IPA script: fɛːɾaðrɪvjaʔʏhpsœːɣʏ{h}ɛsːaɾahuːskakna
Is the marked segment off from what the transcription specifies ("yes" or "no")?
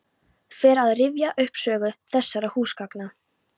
yes